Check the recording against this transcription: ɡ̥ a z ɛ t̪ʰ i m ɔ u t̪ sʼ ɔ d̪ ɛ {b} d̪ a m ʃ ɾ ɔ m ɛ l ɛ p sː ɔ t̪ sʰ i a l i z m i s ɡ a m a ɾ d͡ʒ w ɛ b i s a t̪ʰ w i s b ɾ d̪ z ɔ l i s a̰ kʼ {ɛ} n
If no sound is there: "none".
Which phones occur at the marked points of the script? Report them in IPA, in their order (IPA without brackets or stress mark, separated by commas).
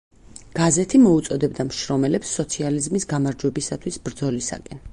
b, ɛ